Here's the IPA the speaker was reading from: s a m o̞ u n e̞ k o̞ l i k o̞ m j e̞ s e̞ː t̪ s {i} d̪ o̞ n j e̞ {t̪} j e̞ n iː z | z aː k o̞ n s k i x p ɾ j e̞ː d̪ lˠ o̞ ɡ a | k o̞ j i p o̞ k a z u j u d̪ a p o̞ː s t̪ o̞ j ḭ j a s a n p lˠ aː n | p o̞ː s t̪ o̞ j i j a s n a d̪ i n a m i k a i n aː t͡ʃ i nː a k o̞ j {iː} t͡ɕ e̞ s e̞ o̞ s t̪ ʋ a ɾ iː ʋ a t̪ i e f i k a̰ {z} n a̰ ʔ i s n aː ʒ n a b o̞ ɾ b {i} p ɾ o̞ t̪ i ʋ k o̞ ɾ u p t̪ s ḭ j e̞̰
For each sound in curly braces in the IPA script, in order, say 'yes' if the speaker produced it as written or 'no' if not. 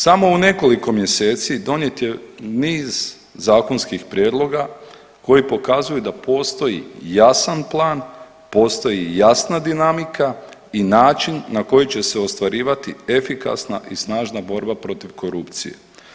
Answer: yes, yes, no, no, no

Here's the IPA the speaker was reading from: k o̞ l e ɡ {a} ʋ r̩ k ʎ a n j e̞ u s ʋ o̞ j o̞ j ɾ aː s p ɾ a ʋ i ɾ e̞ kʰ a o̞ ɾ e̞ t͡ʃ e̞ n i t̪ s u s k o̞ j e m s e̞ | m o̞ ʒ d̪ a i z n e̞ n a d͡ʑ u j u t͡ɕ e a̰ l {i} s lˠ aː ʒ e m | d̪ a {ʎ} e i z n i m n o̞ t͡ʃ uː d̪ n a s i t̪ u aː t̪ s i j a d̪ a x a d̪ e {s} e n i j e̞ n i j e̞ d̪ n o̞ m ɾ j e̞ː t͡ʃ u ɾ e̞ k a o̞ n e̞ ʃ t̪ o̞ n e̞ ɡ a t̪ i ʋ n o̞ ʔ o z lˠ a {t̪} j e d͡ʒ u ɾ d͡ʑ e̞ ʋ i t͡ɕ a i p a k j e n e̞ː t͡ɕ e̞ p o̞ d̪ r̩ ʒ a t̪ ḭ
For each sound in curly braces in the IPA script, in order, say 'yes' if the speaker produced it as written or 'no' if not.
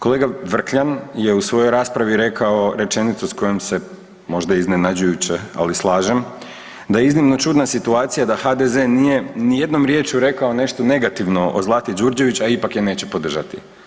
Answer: yes, yes, no, no, yes

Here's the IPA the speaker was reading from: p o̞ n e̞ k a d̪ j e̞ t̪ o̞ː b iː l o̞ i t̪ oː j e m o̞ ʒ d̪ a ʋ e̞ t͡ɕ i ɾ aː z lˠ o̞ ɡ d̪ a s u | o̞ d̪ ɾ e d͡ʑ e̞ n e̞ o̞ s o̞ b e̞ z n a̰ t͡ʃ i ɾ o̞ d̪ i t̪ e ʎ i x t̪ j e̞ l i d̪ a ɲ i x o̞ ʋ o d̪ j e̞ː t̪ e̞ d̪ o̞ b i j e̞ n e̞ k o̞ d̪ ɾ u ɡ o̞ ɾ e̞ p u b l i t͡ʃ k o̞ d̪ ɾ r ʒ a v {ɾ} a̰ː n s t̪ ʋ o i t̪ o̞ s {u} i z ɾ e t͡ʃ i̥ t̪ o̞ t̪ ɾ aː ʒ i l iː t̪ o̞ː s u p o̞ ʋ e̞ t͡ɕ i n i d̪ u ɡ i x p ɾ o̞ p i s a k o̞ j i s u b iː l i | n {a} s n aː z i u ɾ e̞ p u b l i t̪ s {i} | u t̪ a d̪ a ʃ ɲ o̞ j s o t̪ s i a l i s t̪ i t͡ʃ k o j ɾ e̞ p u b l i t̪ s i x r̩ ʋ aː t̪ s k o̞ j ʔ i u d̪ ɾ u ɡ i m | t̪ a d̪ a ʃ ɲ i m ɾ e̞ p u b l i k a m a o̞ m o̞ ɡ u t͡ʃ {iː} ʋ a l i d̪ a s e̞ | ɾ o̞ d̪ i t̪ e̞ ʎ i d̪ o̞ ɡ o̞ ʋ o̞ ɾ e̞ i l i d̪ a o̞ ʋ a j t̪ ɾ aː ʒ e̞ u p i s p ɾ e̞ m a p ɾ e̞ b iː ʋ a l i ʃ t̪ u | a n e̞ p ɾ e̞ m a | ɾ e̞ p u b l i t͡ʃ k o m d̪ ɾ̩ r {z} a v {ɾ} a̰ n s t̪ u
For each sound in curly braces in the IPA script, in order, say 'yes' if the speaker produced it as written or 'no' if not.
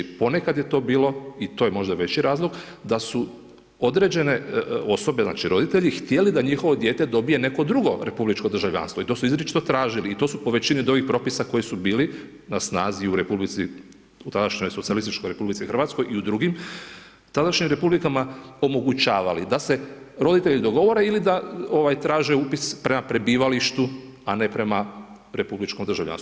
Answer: no, yes, yes, yes, no, no, no

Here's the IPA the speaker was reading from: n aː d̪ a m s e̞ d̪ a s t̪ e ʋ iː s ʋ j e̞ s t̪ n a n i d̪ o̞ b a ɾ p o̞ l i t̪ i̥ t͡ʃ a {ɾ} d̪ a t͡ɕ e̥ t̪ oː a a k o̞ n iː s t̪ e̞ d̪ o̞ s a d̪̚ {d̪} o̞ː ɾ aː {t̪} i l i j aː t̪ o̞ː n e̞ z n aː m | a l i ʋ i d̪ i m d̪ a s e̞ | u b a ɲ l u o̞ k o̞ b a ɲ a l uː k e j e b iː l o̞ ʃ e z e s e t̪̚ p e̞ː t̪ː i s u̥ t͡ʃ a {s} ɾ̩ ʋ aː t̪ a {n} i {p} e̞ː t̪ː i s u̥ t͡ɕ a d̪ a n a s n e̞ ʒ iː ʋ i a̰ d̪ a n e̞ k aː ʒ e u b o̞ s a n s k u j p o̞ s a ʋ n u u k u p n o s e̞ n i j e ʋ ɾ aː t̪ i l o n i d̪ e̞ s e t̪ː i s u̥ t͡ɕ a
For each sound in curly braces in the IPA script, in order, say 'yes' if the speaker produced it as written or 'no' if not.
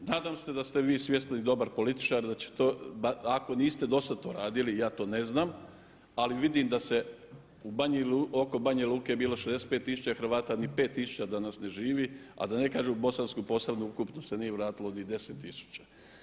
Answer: yes, no, no, no, yes, yes

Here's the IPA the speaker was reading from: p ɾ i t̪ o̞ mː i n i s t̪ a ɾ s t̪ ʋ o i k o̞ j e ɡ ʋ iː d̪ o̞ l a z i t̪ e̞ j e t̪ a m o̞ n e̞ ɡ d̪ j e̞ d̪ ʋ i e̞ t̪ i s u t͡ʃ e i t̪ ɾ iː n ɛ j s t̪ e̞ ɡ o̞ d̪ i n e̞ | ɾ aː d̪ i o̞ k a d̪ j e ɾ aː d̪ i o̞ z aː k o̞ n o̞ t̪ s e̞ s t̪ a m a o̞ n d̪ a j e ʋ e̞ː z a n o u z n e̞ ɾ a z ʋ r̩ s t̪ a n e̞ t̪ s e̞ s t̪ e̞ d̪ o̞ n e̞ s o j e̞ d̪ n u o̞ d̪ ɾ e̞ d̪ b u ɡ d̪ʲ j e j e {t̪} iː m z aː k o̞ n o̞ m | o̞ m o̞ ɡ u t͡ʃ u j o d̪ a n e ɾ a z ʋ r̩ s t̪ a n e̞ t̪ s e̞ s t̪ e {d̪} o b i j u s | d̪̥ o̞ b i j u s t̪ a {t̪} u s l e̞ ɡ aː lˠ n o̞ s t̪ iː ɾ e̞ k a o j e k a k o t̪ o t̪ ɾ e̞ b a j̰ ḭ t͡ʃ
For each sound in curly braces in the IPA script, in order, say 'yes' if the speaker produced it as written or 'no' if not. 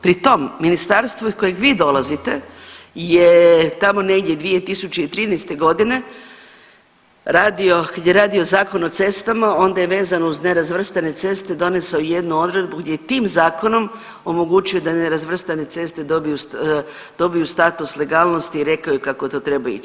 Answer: yes, yes, yes

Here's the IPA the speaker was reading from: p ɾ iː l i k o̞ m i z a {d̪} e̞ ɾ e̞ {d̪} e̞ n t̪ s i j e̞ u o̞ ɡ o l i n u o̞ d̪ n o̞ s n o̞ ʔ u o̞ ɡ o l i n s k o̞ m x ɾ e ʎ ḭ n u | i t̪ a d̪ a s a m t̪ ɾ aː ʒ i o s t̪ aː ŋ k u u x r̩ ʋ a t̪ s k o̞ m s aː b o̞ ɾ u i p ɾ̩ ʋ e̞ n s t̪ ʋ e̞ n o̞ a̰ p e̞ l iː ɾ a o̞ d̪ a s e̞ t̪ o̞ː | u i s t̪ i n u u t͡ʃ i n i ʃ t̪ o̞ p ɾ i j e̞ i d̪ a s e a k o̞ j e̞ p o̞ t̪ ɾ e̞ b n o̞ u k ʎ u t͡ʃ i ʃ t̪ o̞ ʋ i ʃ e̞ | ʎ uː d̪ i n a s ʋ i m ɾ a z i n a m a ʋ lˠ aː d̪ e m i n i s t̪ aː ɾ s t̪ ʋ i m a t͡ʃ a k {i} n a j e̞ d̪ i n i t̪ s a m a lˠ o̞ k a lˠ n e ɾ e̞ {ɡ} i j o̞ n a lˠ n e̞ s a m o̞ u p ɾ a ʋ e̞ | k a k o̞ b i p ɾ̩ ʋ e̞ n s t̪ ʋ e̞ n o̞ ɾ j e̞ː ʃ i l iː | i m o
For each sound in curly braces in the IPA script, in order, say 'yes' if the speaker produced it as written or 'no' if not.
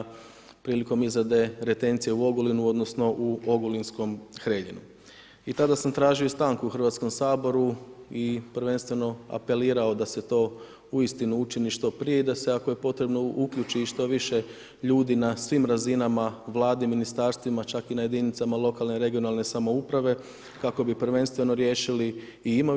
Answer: yes, no, yes, yes

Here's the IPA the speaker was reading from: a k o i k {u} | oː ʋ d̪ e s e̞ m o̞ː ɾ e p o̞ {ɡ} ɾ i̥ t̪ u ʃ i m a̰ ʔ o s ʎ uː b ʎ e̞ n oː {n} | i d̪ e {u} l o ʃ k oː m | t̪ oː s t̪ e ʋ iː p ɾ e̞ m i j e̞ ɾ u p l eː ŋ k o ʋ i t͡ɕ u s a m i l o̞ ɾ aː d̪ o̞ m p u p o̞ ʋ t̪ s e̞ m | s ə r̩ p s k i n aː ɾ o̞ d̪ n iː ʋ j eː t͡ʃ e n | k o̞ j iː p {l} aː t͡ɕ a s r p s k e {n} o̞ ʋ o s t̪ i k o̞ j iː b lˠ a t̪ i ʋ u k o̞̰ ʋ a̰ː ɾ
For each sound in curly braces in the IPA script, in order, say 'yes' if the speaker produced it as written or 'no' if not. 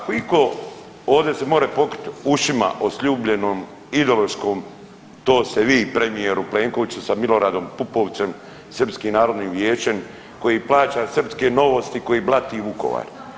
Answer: no, no, no, no, yes, yes

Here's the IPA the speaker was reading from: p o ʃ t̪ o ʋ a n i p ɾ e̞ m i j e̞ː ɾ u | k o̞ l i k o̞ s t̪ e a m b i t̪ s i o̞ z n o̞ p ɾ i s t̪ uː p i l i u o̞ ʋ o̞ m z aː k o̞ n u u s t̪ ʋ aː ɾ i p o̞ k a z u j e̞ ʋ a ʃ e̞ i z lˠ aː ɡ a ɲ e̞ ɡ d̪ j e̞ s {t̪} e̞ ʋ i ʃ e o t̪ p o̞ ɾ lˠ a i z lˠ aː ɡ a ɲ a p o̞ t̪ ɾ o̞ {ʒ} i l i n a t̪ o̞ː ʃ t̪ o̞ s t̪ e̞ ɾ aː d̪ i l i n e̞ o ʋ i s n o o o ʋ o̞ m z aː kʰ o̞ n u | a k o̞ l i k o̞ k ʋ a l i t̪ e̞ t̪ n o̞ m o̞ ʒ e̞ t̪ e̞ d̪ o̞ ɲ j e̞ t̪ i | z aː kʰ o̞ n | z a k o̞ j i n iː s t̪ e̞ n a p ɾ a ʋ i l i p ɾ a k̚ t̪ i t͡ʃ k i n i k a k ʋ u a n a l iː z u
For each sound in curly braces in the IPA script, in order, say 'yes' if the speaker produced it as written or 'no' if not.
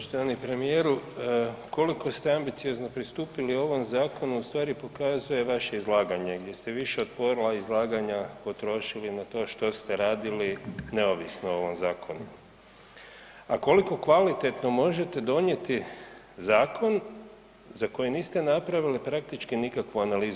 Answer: yes, no

